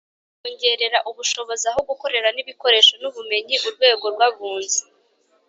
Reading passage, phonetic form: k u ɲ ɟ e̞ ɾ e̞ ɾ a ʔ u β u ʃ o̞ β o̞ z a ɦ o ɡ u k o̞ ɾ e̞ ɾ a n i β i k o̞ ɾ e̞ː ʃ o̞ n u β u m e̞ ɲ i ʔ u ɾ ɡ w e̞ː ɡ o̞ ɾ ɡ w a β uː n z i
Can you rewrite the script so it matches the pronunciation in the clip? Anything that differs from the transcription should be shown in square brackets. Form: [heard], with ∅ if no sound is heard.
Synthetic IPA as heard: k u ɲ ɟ e̞ ɾ e̞ ɾ a ʔ u β u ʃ o̞ β o̞ z a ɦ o ɡ u k o̞ ɾ e̞ ɾ a n i β i k o̞ ɾ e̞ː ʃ o̞ n u β u m e̞ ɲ i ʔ u ɾ ɡ w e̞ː ɡ o̞ ɾ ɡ w a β uː n z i